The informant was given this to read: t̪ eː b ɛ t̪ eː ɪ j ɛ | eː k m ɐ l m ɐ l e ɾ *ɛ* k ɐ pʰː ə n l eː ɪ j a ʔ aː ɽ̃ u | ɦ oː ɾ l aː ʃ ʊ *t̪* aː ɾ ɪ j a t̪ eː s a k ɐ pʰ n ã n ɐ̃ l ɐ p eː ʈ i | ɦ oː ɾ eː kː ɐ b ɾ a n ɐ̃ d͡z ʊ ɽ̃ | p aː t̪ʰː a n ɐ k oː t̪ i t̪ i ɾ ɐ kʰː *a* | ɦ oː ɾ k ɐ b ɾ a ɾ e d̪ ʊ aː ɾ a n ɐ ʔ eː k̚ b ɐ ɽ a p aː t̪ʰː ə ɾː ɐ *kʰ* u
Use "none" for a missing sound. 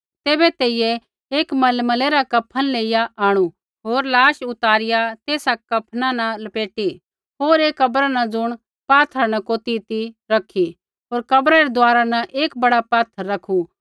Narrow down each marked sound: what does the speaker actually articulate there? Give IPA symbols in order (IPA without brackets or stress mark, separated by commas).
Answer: a, t̪, i, kʰ